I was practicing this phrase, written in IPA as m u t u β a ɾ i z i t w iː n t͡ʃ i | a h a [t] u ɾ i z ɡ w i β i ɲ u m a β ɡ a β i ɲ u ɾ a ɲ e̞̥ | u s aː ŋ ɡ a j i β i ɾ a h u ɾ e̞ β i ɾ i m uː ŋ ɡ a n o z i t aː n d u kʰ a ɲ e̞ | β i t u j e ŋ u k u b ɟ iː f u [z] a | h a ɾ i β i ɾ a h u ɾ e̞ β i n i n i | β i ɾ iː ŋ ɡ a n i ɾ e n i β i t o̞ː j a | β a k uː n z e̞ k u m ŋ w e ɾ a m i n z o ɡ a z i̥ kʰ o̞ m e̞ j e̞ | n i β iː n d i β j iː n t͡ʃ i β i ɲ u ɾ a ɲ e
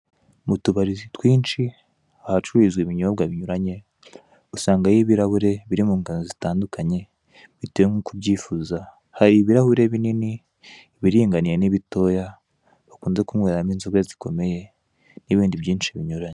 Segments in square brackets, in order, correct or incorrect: incorrect: t͡ʃ, correct

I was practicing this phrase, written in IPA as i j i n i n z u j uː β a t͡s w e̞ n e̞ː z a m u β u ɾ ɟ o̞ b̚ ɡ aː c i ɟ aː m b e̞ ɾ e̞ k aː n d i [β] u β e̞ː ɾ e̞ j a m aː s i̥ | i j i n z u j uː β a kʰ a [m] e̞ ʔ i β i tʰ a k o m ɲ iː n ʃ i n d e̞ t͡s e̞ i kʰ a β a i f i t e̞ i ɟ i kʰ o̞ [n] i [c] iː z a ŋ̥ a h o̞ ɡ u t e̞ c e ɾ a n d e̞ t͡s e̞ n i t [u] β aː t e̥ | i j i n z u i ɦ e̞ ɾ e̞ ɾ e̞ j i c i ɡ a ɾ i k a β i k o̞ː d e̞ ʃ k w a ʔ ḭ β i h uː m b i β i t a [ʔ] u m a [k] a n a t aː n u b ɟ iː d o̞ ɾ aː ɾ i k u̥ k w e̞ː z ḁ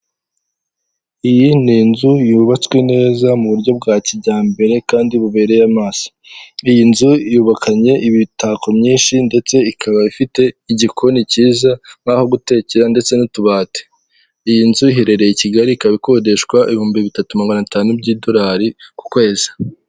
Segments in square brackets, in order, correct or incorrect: correct, incorrect: ɲ, correct, correct, correct, incorrect: t, incorrect: ɡ

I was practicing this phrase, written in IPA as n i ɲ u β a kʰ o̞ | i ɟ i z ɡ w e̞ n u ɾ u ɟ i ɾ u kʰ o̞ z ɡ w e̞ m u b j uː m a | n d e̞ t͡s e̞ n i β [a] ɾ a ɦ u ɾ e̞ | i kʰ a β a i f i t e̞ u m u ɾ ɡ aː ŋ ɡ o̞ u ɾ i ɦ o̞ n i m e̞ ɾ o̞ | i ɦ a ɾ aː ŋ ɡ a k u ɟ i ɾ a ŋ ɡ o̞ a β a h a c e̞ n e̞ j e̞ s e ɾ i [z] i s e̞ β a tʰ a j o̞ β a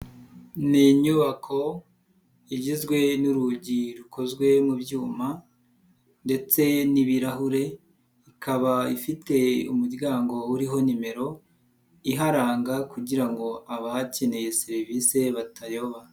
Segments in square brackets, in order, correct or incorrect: incorrect: i, incorrect: v

